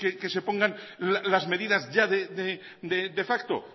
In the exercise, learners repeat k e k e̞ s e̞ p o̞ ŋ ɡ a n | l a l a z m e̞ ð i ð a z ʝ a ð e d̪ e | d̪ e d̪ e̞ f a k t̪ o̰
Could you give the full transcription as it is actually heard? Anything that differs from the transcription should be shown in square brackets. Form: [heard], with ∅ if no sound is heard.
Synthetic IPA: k e k e̞ s e̞ p o̞ ŋ ɡ a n | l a l a z m e̞ ð i ð a z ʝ a ð e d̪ e | d̪ e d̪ e̞ f a k t̪ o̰